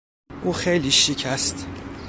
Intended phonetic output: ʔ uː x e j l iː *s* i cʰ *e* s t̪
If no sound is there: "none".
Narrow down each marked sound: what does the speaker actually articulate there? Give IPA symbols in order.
ʃ, æ

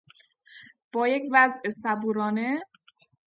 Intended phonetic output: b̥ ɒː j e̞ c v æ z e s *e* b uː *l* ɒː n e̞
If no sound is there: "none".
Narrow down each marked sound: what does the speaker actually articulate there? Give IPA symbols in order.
æ, ɾ

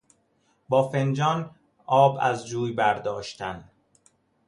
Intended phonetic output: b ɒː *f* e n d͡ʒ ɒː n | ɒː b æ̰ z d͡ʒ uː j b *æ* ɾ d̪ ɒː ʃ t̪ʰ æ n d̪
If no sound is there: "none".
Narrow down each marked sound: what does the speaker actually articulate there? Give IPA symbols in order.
f, æ

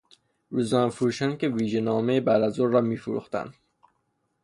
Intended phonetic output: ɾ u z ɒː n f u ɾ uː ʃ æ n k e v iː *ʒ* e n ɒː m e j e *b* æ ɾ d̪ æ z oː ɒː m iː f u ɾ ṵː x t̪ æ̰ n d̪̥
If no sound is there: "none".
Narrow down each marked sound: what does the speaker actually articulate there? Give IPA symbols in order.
ʒ, b

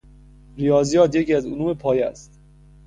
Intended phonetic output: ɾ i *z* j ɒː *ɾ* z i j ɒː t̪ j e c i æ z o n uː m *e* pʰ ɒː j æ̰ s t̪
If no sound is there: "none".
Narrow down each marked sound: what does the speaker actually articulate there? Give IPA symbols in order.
none, none, e

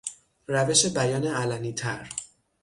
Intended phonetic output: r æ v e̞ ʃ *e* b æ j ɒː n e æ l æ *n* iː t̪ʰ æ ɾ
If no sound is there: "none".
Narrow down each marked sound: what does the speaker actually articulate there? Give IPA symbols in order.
e, n

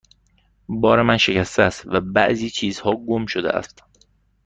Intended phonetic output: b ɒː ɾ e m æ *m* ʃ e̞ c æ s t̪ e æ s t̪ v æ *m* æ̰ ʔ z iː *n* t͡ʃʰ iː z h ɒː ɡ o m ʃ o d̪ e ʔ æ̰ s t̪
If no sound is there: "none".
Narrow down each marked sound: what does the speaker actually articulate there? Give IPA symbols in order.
n, b, none

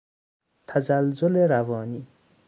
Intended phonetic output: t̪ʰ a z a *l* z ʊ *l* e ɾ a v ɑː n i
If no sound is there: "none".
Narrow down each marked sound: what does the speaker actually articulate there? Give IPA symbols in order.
l, l

